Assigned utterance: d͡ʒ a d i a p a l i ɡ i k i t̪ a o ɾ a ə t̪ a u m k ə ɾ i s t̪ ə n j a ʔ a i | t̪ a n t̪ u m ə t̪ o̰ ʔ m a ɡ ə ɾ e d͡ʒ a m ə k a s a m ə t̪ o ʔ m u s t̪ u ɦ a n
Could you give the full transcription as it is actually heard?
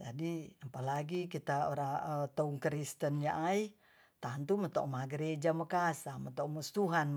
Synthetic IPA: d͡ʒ a d i a p a l a ɡ i k i t̪ a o ɾ a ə t̪ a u ŋ k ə ɾ i s t̪ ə n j a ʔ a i | t̪ a n t̪ u m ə t̪ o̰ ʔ m a ɡ ə ɾ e d͡ʒ a m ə k a s a m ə t̪ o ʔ m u s t̪ u ɦ a n